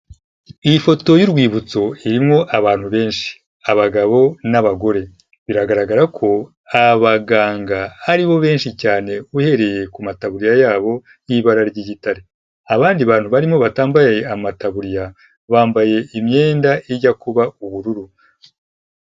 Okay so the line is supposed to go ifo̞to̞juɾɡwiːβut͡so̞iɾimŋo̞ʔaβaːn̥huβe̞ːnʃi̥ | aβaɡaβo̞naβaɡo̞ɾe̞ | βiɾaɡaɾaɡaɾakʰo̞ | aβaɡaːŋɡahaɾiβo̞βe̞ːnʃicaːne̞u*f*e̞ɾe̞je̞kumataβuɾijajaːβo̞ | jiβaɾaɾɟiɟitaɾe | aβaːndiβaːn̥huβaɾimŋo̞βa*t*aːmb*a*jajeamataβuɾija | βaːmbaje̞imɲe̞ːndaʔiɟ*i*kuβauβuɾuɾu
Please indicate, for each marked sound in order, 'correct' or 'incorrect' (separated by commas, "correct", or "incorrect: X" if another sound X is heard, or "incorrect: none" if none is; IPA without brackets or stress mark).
incorrect: h, correct, correct, incorrect: a